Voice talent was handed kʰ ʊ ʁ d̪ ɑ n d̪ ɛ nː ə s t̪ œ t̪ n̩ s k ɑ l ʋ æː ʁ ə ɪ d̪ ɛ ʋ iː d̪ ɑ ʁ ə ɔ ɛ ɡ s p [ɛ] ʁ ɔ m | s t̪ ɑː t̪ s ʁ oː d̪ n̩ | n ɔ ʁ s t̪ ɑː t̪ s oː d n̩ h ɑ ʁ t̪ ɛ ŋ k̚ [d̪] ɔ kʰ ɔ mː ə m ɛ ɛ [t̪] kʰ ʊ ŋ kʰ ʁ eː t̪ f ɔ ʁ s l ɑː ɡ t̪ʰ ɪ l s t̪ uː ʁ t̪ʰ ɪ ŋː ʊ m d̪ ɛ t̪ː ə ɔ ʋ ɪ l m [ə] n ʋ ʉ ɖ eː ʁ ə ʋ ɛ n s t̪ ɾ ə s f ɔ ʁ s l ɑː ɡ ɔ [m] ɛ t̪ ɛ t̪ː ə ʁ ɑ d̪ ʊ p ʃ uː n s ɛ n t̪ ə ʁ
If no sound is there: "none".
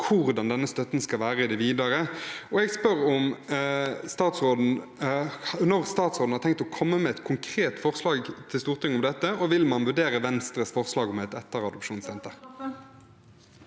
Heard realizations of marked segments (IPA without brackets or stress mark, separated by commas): œ, t̪, t̪, ɑ, m